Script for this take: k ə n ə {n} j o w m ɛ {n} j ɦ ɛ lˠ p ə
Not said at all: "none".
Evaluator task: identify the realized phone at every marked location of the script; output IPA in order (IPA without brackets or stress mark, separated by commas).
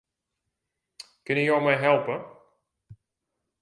none, none